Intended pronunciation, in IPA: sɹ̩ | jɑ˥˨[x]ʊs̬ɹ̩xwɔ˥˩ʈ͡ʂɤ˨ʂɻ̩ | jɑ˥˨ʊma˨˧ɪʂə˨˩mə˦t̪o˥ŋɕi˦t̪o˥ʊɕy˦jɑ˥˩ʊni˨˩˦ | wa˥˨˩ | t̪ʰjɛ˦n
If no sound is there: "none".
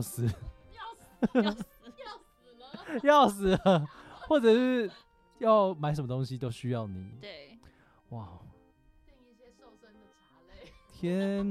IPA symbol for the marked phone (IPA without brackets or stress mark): none